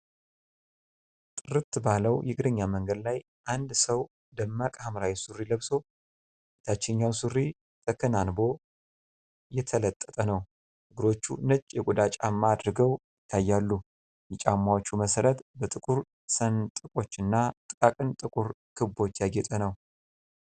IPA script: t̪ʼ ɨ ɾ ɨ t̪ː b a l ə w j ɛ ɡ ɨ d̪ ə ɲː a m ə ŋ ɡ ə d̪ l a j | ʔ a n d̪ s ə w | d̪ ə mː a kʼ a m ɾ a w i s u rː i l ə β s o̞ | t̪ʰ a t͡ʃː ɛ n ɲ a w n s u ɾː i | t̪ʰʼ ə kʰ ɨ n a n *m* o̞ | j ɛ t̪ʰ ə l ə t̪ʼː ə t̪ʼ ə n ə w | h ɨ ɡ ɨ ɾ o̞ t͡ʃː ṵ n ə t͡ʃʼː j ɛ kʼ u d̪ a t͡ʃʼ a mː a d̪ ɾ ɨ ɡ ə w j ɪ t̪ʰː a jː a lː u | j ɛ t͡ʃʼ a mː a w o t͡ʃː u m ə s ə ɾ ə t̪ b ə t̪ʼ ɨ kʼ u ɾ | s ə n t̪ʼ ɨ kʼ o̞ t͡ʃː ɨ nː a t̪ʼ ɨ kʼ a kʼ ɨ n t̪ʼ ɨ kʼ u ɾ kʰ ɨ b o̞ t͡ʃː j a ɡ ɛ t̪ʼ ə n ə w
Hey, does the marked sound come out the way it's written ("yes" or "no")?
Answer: no